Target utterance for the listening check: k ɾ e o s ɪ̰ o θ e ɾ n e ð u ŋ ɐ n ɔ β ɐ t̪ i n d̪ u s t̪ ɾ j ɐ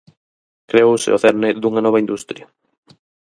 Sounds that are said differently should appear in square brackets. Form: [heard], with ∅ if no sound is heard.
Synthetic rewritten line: k ɾ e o s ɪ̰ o θ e ɾ n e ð u ŋ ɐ n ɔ β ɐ [∅] i n d̪ u s t̪ ɾ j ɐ